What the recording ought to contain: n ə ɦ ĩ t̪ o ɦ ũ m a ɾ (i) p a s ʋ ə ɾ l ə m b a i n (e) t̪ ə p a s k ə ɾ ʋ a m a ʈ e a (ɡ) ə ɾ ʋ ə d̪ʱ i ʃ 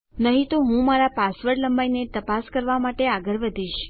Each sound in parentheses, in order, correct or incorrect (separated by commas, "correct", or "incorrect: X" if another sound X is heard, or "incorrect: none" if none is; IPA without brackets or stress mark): incorrect: a, correct, correct